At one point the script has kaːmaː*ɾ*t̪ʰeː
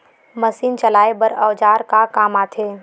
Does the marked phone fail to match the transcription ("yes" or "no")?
yes